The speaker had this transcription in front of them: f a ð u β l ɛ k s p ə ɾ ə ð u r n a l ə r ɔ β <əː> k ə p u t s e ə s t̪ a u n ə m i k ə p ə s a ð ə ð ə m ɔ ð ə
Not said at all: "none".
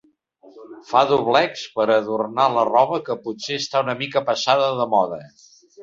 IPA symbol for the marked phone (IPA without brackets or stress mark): ə